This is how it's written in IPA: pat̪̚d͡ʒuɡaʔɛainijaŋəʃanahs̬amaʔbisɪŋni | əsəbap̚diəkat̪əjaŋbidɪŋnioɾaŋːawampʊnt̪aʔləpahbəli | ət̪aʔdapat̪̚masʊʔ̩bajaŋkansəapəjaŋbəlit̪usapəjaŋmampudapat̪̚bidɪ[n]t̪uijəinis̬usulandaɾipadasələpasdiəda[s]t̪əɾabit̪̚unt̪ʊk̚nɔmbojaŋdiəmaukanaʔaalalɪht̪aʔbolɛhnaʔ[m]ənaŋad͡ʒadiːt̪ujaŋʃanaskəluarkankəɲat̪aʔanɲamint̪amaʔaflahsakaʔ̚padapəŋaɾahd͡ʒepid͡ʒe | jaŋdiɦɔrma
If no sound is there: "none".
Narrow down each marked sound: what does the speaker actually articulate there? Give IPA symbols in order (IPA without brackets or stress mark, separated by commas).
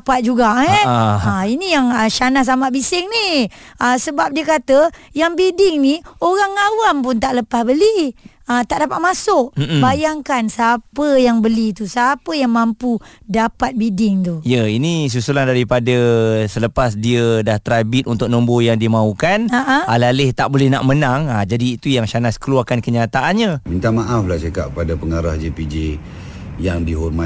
ŋ, h, m